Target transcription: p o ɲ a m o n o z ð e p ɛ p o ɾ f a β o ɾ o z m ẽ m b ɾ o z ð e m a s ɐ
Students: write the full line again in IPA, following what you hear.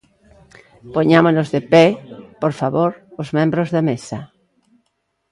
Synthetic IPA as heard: p o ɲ a m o n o z ð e p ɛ p o ɾ f a β o ɾ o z m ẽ m b ɾ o z ð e m e s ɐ

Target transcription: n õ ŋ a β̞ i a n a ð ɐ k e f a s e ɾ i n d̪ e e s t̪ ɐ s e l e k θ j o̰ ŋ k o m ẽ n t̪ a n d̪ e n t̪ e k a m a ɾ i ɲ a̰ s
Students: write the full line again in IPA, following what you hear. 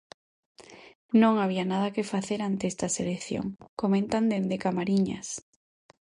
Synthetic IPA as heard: n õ ŋ a β̞ i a n a ð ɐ k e f a θ e ɾ a n t̪ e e s t̪ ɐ s e l e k θ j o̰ ŋ k o m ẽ n t̪ a n d̪ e n d̪ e k a m a ɾ i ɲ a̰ s

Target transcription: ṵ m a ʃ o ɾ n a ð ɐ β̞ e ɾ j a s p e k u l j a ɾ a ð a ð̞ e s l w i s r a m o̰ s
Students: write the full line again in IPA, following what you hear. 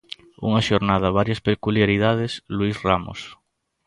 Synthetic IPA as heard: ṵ ŋ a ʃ o ɾ n a ð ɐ β̞ a ɾ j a s p e k u l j a ɾ i ð a ð̞ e s l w i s r a m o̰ s

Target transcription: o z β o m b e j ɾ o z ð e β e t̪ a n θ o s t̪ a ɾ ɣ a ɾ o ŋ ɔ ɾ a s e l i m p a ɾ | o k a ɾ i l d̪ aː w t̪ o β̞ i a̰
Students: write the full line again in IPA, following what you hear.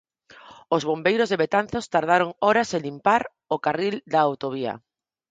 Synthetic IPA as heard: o z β o m b e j ɾ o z ð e β e t̪ a n θ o s t̪ a ɾ ð a ɾ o ŋ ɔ ɾ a s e l i m p a ɾ | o k a r i l d̪ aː w t̪ o β̞ i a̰

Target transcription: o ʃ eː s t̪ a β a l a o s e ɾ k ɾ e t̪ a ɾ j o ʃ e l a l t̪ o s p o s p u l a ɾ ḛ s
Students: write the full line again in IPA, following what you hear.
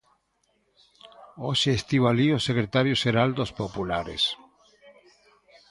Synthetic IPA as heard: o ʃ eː s t̪ i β a l i o s e k ɾ e t̪ a ɾ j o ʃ e ɾ a l d̪ o s p o p u l a ɾ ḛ s

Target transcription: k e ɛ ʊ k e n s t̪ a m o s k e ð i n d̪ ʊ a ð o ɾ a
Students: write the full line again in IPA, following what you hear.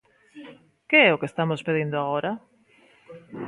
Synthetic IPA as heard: k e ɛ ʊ k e s t̪ a m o s p e ð i n d̪ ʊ a ɣ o ɾ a

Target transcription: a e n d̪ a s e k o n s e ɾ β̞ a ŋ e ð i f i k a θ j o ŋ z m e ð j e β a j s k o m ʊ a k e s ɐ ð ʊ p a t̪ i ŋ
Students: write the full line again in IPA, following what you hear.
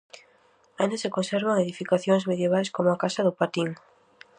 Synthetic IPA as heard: a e n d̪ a s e k o n s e ɾ β̞ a ŋ e ð i f i k a θ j o ŋ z m e ð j e β a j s k o m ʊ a k a s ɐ ð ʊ p a t̪ i ŋ

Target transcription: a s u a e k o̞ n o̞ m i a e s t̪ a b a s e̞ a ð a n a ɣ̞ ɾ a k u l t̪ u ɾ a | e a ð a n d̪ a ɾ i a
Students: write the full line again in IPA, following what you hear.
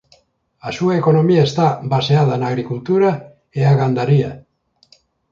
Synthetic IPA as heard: a s u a e k o̞ n o̞ m i a e s t̪ a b a s e̞ a ð a n a ɣ̞ ɾ i k u l t̪ u ɾ a | e a ɣ a n d̪ a ɾ i a

